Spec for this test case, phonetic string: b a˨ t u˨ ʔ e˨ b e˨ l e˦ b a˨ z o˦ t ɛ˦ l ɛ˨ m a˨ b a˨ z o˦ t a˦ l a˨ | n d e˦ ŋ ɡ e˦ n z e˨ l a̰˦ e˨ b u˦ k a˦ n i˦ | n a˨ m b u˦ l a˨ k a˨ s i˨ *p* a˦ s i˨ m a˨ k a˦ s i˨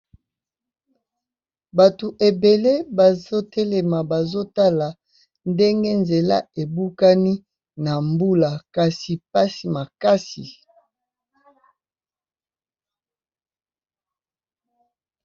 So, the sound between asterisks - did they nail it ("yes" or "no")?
yes